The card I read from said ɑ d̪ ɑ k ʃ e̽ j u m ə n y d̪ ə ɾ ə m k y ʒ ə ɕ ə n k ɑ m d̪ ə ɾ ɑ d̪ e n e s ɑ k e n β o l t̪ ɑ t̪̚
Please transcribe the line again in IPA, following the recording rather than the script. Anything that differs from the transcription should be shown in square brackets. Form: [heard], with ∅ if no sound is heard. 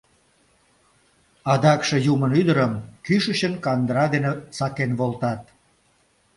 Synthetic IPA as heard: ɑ d̪ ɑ k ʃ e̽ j u m ə n y d̪ ə ɾ ə m k y [ʃ] ə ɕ ə n k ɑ [n] d̪ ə ɾ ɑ d̪ e n e s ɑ k e n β o l t̪ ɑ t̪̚

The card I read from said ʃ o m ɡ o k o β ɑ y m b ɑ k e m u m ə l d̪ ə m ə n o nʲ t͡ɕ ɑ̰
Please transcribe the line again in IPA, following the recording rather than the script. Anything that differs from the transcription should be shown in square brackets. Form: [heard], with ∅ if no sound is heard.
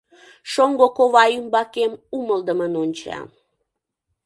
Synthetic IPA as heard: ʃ o [ŋ] ɡ o k o β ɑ y m b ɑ k e m u m ə l d̪ ə m ə n o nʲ t͡ɕ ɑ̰

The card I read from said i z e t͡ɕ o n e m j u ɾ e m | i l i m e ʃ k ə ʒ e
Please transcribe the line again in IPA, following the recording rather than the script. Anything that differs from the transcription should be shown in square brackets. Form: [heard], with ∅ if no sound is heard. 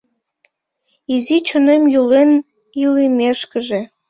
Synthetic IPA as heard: i z [i] t͡ɕ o n e m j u [l] e [n] | i l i m e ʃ k ə ʒ e

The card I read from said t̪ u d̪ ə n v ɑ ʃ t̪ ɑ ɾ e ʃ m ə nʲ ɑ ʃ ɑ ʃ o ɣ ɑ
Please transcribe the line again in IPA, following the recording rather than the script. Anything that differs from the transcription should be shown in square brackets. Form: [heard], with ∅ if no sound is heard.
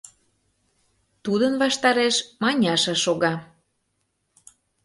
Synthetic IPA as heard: t̪ u d̪ ə n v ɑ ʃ t̪ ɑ ɾ e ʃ m [ɑ] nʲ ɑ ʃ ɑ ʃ o ɣ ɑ

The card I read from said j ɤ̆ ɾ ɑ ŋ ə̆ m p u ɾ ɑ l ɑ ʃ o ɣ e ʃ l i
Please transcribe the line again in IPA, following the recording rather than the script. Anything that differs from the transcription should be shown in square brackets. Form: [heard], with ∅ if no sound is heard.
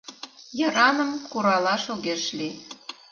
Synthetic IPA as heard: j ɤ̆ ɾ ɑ [n] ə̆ m [k] u ɾ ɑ l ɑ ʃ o ɣ e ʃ l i

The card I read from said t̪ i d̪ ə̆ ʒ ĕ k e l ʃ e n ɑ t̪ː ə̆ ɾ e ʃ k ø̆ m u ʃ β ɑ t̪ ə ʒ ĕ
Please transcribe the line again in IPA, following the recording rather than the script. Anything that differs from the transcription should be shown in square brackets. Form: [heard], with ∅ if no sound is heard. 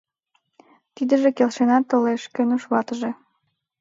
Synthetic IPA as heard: t̪ i d̪ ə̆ ʒ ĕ k e l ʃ e n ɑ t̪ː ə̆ [l] e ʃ k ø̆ [n] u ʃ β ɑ t̪ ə ʒ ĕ

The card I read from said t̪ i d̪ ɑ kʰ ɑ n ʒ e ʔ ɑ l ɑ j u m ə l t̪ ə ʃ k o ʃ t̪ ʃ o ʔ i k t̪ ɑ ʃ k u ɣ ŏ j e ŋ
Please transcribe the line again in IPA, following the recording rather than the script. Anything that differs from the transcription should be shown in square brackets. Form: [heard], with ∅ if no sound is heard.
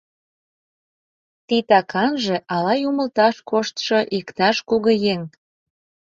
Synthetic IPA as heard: t̪ i [t̪] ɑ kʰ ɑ n ʒ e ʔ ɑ l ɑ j u m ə l t̪ [ɑ] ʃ k o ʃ t̪ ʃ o ʔ i k t̪ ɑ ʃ k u ɣ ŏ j e ŋ

